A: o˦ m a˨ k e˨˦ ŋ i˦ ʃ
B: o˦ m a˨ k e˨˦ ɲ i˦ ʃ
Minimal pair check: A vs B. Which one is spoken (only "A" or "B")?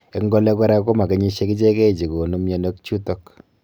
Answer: B